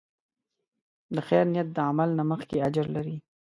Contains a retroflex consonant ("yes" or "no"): no